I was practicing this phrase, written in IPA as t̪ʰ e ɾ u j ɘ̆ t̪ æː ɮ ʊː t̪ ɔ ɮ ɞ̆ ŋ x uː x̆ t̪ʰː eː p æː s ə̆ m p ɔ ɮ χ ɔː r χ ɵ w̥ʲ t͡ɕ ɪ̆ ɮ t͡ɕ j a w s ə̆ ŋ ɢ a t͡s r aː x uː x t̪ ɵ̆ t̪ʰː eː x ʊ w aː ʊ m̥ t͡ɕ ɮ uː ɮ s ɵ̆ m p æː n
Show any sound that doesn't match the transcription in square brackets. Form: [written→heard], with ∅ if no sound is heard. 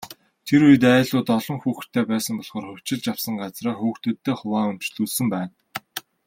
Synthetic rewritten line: t̪ʰ e ɾ u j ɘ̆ t̪ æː ɮ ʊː t̪ ɔ ɮ ɞ̆ ŋ x uː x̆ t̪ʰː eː p æː s ə̆ m p ɔ ɮ χ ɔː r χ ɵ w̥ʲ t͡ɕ ɪ̆ ɮ t͡ɕ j a w s ə̆ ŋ ɢ a t͡s r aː x uː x t̪ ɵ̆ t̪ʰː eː [x→χ] ʊ w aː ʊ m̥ t͡ɕ ɮ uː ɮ s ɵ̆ m p æː n

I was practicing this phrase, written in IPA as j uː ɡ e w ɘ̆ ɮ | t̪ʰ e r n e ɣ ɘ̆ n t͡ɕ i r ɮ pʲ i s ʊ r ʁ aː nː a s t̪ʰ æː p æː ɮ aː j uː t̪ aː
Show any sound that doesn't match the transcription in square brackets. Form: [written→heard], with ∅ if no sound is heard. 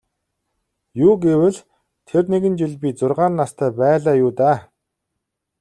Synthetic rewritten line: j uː ɡ e w ɘ̆ ɮ | t̪ʰ e r n e ɣ ɘ̆ n t͡ɕ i [r→∅] ɮ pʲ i [s→t͡s] ʊ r ʁ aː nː a s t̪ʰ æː p æː ɮ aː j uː t̪ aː

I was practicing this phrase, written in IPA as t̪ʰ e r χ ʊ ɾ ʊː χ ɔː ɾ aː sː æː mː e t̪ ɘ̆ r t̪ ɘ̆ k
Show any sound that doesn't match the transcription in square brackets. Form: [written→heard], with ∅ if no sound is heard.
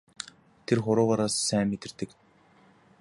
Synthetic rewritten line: t̪ʰ e r χ ʊ ɾ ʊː [χ→ʁ] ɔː ɾ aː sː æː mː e t̪ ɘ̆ r t̪ ɘ̆ k

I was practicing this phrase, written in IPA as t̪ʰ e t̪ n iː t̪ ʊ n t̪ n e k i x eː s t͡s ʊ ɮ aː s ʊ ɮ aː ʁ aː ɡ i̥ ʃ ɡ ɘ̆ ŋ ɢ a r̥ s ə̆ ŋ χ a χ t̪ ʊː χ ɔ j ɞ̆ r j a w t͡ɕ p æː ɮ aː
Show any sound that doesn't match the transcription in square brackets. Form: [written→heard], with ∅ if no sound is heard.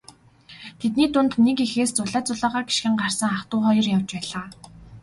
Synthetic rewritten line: t̪ʰ e t̪ n iː t̪ ʊ n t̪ n e k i x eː s t͡s ʊ ɮ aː [s→t͡s] ʊ ɮ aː ʁ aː ɡ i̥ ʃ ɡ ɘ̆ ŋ ɢ a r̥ s ə̆ ŋ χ a χ t̪ ʊː χ ɔ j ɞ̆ r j a w t͡ɕ p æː ɮ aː

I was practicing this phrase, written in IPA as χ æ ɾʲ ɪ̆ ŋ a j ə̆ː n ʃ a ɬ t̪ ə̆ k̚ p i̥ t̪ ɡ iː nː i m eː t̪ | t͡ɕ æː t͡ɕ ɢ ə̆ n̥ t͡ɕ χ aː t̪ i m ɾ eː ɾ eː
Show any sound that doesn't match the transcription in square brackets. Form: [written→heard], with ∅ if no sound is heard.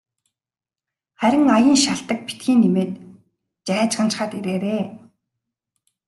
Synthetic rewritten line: χ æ ɾʲ ɪ̆ ŋ a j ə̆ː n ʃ a ɬ t̪ ə̆ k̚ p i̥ t̪ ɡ iː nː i m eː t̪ | t͡ɕ æː t͡ɕ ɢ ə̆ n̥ t͡ɕ χ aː t̪ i [m→∅] ɾ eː ɾ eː

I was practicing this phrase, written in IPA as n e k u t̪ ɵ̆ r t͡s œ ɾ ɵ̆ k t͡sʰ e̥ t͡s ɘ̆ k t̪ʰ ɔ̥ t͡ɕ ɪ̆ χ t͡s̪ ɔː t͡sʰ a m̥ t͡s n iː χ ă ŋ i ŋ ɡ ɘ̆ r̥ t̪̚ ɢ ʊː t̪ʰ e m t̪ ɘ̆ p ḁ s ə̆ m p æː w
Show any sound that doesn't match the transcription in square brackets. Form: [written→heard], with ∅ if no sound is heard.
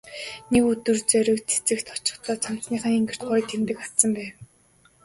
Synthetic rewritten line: n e k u t̪ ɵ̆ r t͡s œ ɾ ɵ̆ k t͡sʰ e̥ t͡s ɘ̆ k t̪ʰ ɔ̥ t͡ɕ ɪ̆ χ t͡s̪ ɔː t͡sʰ a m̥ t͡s n iː χ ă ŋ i ŋ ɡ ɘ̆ r̥ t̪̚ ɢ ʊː t̪ʰ e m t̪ ɘ̆ [p→k] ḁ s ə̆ m p æː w

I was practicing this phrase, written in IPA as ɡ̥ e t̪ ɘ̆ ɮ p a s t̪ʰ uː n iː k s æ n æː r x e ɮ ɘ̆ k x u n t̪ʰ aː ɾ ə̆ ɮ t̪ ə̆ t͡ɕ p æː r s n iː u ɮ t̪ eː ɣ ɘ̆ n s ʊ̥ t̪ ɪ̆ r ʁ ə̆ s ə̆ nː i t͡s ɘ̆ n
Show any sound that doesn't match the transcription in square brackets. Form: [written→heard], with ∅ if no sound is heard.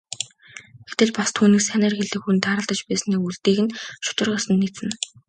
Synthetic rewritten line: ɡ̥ e t̪ ɘ̆ ɮ p a s t̪ʰ uː n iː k s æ n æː r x e ɮ ɘ̆ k x u n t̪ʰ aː ɾ ə̆ ɮ t̪ ə̆ t͡ɕ p æː [r→∅] s n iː u ɮ t̪ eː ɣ ɘ̆ n [s→ʃ] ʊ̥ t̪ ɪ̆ r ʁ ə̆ s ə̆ nː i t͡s ɘ̆ n

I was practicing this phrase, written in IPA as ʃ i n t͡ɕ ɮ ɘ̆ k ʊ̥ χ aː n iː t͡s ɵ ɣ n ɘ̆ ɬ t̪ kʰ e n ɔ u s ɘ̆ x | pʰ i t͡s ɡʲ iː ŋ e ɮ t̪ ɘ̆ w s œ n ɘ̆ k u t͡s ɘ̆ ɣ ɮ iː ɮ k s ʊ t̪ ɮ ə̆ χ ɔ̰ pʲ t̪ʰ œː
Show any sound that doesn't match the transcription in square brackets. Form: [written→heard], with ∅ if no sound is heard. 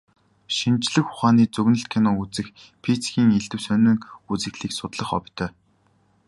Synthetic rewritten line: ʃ i n t͡ɕ ɮ ɘ̆ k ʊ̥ χ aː n iː t͡s ɵ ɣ n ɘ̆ ɬ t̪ kʰ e n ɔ u [s→t͡s] ɘ̆ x | pʰ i t͡s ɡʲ iː ŋ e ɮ t̪ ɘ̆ w s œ n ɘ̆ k u t͡s ɘ̆ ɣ ɮ iː [ɮ→∅] k s ʊ t̪ ɮ ə̆ χ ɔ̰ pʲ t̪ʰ œː

